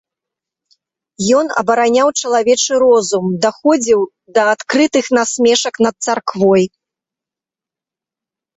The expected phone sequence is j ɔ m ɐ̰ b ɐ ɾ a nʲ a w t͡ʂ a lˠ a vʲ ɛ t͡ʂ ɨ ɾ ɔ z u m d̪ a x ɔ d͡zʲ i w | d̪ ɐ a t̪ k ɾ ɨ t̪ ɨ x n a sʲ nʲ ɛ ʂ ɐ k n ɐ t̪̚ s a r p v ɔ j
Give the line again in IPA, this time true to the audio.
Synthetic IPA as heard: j ɔ n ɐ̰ b ɐ ɾ a nʲ a w t͡ʂ ɐ lˠ a vʲ ɛ t͡ʂ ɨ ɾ ɔ z u m d̪ a x ɔ d͡zʲ i w | d̪ ɐ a t̪ k ɾ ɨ t̪ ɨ x n a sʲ mʲ ɛ ʂ ɐ k n ɐ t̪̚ s a r k v ɔ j